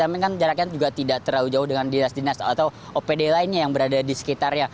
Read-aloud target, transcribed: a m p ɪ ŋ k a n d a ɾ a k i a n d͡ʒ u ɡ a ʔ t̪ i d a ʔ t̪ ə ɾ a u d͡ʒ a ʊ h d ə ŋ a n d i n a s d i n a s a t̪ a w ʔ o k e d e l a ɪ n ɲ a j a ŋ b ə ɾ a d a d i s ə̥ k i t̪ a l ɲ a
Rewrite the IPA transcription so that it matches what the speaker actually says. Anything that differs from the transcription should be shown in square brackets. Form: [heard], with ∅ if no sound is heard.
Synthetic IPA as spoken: a m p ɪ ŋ k a n [d͡ʒ] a ɾ a k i a n d͡ʒ u ɡ a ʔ t̪ i d a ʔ t̪ ə ɾ a u d͡ʒ a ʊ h d ə ŋ a n d i n a s d i n a s a t̪ a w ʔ o [p] e d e l a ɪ n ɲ a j a ŋ b ə ɾ a d a d i s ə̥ k i t̪ a [r] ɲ a